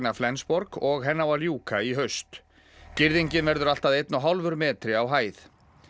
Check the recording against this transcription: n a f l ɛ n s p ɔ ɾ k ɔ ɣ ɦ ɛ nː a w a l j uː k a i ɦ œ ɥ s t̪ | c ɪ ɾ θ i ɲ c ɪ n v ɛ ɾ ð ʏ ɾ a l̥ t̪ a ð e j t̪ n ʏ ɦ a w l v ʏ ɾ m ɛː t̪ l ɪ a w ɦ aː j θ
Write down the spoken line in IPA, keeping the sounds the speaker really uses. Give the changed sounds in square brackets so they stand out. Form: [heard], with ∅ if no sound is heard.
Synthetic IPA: n a f l ɛ n s p ɔ ɾ k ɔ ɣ ɦ ɛ nː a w a l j uː k a i ɦ œ ɥ s t̪ | c ɪ ɾ [ð] i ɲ c ɪ n v ɛ ɾ ð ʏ ɾ a l̥ t̪ a ð e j t̪ n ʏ ɦ a w l v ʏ ɾ m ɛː t̪ [ɾ] ɪ a w ɦ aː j θ